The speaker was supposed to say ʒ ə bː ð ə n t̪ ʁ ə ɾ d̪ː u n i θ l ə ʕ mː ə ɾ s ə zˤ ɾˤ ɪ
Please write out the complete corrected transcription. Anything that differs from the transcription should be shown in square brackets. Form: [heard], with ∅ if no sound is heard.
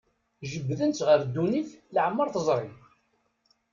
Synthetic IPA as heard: ʒ ə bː ð ə n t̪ ʁ ə ɾ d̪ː u n i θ l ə ʕ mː ə ɾ [θ] ə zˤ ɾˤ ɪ